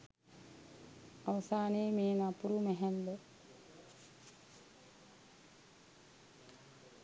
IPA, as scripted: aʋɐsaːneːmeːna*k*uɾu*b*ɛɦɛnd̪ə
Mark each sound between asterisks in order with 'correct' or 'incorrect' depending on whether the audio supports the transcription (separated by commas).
incorrect, incorrect